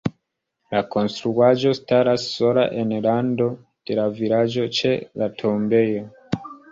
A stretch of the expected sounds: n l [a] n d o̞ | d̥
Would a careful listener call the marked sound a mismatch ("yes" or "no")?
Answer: no